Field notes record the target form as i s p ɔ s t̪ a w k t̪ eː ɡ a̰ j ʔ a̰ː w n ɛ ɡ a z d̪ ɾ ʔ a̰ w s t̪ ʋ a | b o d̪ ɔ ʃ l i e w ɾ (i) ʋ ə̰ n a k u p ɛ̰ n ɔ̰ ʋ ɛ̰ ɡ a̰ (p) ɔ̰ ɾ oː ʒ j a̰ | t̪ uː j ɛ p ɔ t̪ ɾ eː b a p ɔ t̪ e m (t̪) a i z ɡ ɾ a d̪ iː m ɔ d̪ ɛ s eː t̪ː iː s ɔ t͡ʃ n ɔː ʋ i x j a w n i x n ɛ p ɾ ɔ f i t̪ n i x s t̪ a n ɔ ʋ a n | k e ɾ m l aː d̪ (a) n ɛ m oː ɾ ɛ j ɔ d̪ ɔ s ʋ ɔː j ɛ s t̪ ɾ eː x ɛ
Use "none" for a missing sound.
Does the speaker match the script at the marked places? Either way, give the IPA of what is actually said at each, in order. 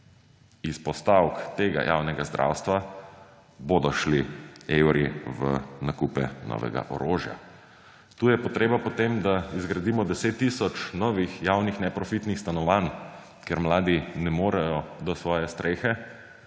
i, ʔ, d̪, i

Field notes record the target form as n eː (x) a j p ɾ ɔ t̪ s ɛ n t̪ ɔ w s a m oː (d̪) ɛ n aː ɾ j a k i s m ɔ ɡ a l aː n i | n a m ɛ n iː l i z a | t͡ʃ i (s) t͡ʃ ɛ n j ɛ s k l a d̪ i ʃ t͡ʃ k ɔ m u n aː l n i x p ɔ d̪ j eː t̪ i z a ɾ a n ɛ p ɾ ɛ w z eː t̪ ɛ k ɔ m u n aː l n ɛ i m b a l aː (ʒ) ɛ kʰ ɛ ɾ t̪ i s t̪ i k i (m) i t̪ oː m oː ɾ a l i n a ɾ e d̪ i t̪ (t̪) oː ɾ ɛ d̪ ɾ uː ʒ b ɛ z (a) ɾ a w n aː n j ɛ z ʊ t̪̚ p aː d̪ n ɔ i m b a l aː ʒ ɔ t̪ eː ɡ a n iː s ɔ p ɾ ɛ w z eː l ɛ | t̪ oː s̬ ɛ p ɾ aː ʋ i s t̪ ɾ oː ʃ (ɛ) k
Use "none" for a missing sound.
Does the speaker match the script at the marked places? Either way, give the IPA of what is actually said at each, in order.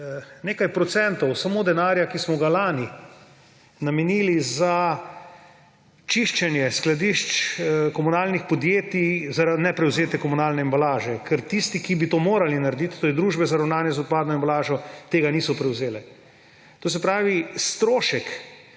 k, d̪, ʃ, ʒ, b, t̪, a, ɛ

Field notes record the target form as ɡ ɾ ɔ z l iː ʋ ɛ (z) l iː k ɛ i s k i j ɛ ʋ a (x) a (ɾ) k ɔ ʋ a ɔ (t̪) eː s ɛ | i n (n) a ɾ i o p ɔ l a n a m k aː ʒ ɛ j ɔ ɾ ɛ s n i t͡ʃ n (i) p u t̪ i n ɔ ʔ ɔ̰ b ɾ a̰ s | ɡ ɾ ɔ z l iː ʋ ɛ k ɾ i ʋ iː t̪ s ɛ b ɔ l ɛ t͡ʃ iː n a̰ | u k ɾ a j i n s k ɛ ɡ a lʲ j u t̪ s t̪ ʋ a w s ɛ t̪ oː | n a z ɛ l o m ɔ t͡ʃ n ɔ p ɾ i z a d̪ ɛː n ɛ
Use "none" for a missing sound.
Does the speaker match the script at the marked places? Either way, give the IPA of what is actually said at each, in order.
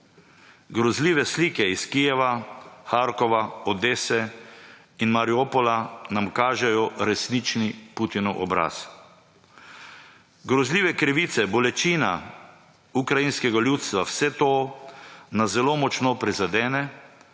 s, x, ɾ, d̪, m, i

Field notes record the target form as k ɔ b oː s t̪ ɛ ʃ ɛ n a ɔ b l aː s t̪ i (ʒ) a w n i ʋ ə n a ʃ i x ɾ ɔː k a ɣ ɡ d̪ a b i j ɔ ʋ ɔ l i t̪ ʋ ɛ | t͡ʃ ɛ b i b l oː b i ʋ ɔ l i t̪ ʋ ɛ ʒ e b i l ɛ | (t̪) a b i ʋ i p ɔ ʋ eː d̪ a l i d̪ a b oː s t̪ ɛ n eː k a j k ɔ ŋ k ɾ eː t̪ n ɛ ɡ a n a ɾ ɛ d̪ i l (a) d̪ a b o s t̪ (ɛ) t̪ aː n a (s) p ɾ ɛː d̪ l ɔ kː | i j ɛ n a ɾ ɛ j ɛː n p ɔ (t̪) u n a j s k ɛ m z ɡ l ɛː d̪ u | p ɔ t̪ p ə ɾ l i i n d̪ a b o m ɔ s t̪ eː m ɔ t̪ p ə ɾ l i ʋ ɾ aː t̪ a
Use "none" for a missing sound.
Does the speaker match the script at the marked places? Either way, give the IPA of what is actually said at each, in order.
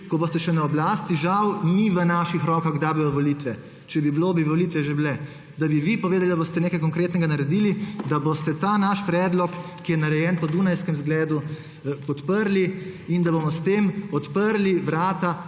ʒ, d̪, i, ɛ, ʃ, d̪

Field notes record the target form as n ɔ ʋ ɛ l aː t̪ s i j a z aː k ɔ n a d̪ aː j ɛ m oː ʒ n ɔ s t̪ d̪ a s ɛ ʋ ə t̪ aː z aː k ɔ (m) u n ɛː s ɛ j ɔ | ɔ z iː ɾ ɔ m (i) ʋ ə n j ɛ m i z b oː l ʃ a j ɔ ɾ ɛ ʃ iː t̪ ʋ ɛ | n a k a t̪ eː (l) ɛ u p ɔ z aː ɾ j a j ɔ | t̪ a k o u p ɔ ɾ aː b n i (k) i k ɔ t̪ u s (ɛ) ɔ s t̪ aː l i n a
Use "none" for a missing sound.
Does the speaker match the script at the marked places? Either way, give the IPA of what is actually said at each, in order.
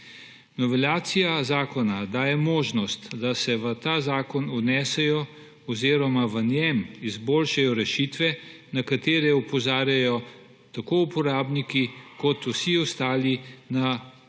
n, a, ɾ, k, i

